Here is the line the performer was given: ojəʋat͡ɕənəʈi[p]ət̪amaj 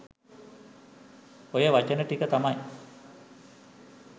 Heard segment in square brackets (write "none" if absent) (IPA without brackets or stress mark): k